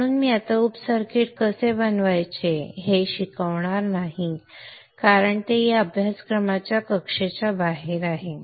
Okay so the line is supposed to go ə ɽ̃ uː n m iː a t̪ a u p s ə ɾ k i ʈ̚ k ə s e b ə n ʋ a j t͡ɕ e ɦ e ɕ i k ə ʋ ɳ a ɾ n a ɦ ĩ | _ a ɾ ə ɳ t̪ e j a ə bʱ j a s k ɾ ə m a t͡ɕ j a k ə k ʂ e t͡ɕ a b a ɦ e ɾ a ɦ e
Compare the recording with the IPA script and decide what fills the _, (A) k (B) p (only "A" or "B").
A